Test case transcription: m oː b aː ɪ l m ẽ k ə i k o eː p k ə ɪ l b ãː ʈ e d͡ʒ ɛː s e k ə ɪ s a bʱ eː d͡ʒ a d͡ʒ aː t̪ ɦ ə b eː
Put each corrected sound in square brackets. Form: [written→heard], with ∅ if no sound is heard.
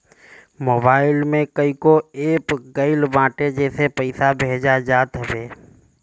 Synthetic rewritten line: m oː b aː ɪ l m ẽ k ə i k o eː p [k→ɡ] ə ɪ l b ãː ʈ e d͡ʒ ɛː s e [k→p] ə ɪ s a bʱ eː d͡ʒ a d͡ʒ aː t̪ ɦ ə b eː

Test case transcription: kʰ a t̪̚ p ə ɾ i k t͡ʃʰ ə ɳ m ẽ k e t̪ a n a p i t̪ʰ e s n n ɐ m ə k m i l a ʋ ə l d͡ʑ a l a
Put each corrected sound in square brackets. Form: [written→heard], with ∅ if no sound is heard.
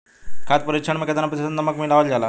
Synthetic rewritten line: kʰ a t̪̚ p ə ɾ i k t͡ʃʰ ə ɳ m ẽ k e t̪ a n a p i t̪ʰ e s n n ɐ m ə k m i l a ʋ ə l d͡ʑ a l a

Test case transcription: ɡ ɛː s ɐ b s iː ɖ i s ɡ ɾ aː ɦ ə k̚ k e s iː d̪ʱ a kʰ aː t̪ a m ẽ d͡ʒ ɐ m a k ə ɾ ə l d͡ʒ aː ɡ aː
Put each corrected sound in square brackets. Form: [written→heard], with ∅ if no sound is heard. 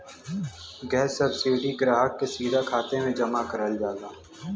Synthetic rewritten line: ɡ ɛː s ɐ b s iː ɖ i [s→∅] ɡ ɾ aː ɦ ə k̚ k e s iː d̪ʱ a kʰ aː t̪ [a→e] m ẽ d͡ʒ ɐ m a k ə ɾ ə l d͡ʒ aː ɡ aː

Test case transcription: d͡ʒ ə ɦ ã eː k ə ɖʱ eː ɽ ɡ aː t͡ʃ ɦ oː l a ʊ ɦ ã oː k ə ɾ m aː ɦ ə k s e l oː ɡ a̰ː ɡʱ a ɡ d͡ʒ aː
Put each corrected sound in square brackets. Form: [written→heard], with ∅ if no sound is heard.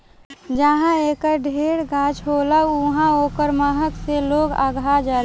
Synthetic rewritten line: d͡ʒ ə ɦ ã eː k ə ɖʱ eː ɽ ɡ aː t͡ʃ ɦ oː l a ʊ ɦ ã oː k ə ɾ m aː ɦ ə k s e l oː ɡ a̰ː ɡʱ a [ɡ→∅] d͡ʒ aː

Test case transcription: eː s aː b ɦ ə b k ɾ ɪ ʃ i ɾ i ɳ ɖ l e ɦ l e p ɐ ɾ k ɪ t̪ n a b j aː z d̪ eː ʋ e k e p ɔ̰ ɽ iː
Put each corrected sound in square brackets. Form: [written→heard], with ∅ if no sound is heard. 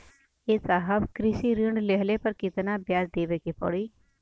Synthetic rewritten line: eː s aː [b→∅] ɦ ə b k ɾ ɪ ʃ i ɾ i ɳ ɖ l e ɦ l e p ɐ ɾ k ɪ t̪ n a b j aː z d̪ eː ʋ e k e p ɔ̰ ɽ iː

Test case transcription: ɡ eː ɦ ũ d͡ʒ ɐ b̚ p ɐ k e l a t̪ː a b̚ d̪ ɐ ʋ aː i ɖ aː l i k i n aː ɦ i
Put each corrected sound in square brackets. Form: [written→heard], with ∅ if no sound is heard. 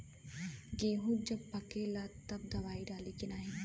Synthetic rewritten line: ɡ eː ɦ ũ d͡ʒ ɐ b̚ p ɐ k e l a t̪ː [a→ɐ] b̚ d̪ ɐ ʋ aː i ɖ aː l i k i n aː ɦ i

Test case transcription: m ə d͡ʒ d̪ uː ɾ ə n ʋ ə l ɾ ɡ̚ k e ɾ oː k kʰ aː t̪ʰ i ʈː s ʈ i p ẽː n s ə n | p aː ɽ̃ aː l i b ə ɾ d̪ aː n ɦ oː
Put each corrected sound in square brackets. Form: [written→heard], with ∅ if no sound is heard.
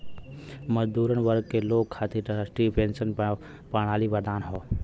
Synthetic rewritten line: m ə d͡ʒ d̪ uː ɾ ə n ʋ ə [l→∅] ɾ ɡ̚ k e [ɾ→l] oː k kʰ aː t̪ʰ i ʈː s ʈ i p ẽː n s ə n | p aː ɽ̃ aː l i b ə ɾ d̪ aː n ɦ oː

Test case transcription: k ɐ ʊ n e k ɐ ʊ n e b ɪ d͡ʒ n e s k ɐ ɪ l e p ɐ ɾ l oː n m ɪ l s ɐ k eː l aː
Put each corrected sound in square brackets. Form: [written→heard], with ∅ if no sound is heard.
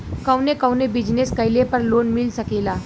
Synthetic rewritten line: k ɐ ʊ n e k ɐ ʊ n e b ɪ d͡ʒ n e s k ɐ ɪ l e p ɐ ɾ l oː n m ɪ l s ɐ k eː l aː

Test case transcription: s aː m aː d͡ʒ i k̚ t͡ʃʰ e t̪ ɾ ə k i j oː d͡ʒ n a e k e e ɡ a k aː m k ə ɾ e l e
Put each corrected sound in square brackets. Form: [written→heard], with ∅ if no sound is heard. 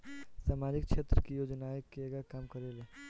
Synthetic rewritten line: s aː m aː d͡ʒ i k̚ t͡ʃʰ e t̪ ɾ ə k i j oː d͡ʒ n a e k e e ɡ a k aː m k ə ɾ e l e

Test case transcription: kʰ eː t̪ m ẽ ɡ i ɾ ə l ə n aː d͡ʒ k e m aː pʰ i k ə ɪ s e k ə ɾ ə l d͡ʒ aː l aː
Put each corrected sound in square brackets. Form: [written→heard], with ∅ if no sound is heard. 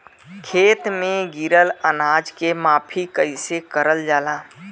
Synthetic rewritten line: kʰ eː t̪ m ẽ ɡ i ɾ ə l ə n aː d͡ʒ k e m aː pʰ i k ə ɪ s e k ə ɾ ə l d͡ʒ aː l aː

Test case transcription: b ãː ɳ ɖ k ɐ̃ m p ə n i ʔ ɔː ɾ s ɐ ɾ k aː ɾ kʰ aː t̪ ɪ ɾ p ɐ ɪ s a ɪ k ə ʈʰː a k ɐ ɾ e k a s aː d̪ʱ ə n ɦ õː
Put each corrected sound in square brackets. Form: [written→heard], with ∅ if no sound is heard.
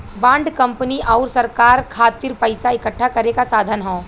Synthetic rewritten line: b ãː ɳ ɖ k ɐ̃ m p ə n i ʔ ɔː ɾ s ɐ ɾ k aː ɾ kʰ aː t̪ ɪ ɾ p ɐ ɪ s a ɪ k ə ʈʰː a k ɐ ɾ e k a s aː d̪ʱ ə n ɦ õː

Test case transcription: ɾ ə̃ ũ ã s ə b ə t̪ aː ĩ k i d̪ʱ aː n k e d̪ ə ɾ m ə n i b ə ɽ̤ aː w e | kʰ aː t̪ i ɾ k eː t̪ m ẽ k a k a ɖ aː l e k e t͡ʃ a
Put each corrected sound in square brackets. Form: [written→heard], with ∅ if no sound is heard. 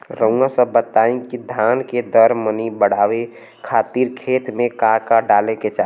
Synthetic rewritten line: ɾ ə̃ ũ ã s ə b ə t̪ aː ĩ k i d̪ʱ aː n k e d̪ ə ɾ m ə n i b ə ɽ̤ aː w e | kʰ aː t̪ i ɾ [k→kʰ] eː t̪ m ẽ k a k a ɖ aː l e k e t͡ʃ a

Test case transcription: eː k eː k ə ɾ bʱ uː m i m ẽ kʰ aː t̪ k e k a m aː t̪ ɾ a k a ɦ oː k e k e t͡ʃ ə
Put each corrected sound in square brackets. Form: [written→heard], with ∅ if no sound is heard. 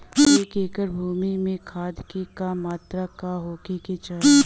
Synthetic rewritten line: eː k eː k ə ɾ bʱ uː m i m ẽ kʰ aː [t̪→d̪] k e k a m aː t̪ ɾ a k a ɦ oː k e k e t͡ʃ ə

